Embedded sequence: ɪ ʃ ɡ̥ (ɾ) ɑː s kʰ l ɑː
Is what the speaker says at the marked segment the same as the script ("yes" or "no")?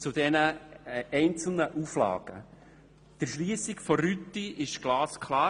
no